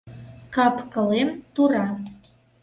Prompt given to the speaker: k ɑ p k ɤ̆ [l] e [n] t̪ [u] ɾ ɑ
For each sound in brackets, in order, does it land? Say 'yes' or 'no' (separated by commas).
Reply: yes, no, yes